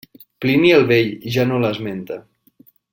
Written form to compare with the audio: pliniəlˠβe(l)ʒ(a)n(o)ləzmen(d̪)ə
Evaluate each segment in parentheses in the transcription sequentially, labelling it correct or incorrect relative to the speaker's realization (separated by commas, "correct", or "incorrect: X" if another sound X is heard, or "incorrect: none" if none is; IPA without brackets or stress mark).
incorrect: ʎ, correct, correct, incorrect: t̪